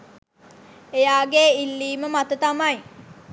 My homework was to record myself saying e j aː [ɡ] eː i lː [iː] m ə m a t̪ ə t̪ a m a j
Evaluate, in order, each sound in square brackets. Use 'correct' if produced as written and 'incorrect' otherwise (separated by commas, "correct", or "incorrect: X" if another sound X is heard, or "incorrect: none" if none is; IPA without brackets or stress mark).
correct, correct